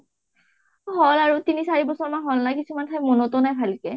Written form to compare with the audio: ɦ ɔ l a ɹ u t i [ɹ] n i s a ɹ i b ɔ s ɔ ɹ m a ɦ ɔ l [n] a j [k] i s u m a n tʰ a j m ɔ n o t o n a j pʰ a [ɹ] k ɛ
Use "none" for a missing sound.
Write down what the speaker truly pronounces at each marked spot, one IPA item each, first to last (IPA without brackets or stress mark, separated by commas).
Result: none, n, k, l